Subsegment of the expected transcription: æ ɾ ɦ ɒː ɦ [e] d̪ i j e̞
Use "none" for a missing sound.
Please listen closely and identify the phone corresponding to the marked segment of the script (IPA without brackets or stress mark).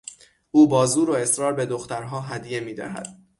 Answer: æ